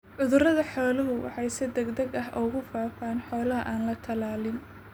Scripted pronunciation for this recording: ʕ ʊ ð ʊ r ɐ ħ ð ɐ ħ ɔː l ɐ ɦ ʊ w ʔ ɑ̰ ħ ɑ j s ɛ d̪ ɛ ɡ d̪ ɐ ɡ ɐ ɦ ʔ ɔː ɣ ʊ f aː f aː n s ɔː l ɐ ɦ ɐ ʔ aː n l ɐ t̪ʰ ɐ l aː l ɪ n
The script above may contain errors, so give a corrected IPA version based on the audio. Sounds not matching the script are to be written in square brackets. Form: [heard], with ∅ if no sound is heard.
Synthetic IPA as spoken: ʕ ʊ ð ʊ r ɐ [∅] ð ɐ ħ ɔː l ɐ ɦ ʊ w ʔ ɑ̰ ħ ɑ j s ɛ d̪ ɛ ɡ d̪ ɐ ɡ ɐ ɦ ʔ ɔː ɣ ʊ f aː f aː n [ħ] ɔː l ɐ ɦ ɐ ʔ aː n l ɐ t̪ʰ ɐ l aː l ɪ n